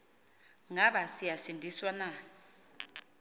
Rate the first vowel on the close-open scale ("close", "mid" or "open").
open